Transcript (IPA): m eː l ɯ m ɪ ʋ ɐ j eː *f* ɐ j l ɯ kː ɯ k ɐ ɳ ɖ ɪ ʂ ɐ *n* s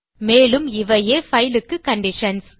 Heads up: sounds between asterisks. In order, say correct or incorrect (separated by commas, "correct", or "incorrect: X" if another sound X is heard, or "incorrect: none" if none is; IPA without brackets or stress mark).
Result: correct, correct